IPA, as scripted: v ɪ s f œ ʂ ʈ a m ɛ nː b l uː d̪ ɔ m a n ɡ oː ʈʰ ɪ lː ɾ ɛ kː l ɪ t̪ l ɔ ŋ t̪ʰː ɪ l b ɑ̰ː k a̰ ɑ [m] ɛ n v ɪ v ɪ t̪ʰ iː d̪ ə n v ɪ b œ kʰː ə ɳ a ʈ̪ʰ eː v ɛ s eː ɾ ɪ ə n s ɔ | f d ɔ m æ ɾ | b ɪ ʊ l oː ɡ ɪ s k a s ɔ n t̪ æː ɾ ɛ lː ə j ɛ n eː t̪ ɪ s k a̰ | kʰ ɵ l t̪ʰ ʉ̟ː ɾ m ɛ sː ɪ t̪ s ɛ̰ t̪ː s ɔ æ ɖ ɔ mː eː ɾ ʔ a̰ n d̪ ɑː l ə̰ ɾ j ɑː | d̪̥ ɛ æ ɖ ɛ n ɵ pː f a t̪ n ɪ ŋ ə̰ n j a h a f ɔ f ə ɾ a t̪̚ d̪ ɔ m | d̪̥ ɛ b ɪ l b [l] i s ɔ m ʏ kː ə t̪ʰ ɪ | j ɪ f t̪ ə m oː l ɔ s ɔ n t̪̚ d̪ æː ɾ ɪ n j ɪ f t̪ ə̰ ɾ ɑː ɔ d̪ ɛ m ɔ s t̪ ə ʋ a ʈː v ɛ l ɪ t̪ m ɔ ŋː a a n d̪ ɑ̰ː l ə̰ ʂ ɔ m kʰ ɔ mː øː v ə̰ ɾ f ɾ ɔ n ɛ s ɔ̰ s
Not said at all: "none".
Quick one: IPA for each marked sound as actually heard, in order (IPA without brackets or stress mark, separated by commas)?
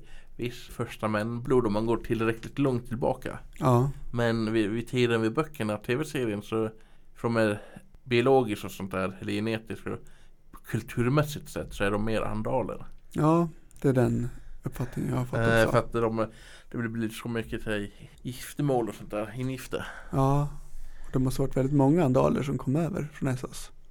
m, l